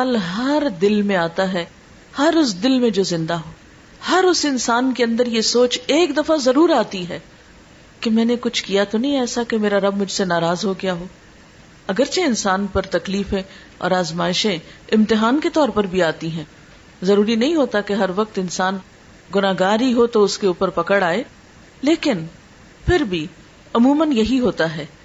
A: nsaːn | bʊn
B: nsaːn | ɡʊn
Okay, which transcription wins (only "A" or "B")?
B